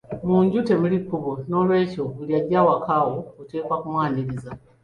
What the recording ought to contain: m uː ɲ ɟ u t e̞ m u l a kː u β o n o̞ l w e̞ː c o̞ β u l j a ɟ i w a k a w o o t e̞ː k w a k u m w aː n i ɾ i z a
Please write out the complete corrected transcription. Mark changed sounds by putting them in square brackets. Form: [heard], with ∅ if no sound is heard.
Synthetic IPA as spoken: m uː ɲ ɟ u t e̞ m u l [i] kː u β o n o̞ l w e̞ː c o̞ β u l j a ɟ [a] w a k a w o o t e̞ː k w a k u m w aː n i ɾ i z a